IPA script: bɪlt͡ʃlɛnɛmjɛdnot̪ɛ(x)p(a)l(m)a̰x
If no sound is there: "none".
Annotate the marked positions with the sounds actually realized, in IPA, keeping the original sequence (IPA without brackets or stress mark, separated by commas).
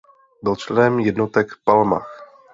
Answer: k, a, m